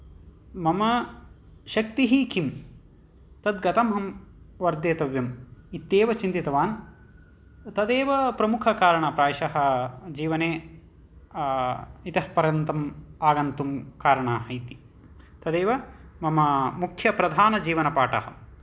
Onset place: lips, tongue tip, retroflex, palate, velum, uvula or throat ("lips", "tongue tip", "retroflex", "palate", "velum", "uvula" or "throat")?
lips